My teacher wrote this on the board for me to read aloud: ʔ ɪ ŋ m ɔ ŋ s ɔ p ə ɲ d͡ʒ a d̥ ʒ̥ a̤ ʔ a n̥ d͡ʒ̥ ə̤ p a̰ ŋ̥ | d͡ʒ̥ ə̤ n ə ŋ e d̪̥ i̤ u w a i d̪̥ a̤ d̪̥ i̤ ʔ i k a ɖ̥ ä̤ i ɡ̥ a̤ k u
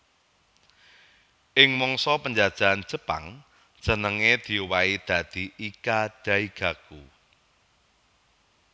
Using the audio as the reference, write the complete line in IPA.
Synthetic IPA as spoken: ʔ ɪ ŋ m ɔ ŋ s ɔ p ə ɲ d͡ʒ a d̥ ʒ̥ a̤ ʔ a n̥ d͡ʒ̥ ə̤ p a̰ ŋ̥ | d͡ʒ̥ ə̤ n ə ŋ e d̪̥ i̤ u w a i d̪̥ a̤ d̪̥ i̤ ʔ i k a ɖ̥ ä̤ i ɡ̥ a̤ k u